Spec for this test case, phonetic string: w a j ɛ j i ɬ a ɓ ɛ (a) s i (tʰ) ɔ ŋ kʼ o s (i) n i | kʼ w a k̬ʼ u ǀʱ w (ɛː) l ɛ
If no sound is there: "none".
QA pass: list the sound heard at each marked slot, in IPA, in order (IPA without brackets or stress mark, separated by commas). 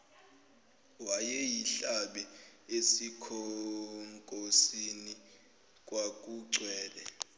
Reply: e, kʰ, i, ɛː